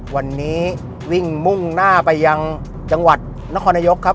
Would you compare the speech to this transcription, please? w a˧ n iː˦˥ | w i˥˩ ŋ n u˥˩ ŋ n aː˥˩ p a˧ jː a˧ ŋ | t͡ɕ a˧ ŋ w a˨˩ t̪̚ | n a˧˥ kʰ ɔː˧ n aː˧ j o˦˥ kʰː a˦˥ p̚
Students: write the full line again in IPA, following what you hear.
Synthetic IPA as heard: w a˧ nː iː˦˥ | w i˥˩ ŋ m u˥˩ ŋ n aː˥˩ p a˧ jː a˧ ŋ | t͡ɕ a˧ ŋ w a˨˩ t̪̚ | n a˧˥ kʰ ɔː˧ n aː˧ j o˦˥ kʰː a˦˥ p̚